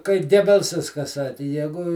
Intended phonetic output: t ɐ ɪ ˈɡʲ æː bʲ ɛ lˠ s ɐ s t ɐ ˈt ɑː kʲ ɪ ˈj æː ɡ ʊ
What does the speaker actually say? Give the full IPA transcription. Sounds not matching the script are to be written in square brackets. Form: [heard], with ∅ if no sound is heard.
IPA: [k] ɐ ɪ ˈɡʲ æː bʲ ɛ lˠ s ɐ s [k] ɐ [ˈs] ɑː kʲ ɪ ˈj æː ɡ ʊ